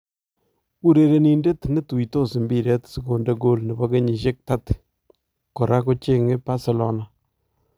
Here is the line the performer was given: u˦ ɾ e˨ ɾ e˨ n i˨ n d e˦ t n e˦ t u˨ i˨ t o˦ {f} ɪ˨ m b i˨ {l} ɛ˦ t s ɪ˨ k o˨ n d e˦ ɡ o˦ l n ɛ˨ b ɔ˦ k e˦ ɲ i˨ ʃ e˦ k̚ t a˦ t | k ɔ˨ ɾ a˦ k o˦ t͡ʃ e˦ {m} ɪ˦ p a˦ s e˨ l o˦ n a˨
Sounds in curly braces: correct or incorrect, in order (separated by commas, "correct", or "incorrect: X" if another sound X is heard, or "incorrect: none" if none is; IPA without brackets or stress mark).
incorrect: s, incorrect: ɾ, incorrect: ŋ